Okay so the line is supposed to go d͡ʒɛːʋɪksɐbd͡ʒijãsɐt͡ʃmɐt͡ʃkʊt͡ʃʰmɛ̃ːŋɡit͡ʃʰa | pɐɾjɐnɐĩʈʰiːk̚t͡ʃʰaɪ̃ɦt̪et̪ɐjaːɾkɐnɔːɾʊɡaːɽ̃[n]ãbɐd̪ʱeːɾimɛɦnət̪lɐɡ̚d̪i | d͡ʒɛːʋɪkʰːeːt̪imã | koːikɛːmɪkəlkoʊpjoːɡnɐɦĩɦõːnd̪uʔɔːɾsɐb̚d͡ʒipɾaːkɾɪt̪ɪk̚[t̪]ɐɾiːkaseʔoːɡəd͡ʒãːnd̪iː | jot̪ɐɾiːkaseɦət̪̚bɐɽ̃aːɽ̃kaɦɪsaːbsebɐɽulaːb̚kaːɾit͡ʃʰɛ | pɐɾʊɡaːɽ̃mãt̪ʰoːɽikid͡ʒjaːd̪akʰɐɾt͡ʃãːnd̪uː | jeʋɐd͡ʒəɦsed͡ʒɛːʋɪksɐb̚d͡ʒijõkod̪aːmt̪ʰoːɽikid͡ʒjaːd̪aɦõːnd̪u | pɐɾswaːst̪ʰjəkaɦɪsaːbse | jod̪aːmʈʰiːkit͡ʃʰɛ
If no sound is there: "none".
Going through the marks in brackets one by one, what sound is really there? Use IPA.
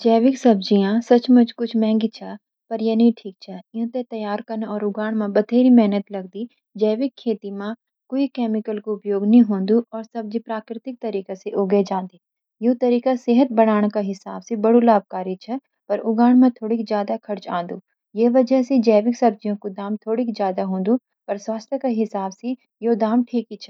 m, t̪

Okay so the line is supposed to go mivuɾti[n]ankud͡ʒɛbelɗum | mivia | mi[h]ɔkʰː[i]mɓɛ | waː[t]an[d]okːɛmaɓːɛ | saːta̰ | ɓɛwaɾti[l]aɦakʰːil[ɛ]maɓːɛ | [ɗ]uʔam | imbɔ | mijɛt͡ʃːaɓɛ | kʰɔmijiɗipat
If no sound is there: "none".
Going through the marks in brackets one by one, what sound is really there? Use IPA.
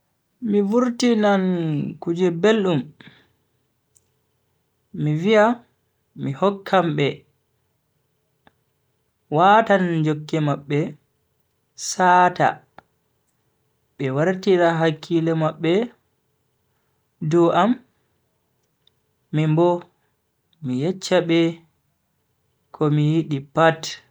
n, h, a, t, d͡ʒ, ɾ, ɛ, d

